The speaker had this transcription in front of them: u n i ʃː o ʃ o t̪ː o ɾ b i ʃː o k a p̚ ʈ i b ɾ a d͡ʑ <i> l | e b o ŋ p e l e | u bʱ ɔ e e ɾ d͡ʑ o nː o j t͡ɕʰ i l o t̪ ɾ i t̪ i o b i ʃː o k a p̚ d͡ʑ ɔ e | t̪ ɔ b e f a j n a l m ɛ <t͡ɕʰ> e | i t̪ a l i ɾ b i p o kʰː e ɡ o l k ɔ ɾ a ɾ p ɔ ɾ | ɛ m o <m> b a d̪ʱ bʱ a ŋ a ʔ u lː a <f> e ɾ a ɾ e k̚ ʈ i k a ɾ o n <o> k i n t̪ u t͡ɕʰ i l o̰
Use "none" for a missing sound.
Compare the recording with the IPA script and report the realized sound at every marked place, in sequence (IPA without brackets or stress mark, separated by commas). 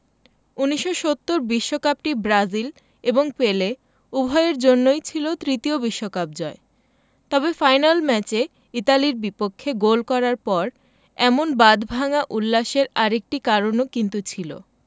i, t͡ɕ, n, ʃ, o